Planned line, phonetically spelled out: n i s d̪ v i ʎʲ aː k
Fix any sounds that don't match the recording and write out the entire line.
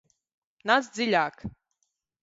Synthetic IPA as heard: n a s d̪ z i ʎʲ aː k